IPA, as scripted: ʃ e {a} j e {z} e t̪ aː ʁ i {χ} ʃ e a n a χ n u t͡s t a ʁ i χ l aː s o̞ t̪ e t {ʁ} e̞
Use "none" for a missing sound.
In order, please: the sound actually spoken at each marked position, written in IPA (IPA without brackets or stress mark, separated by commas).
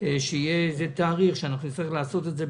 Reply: i, z, χ, z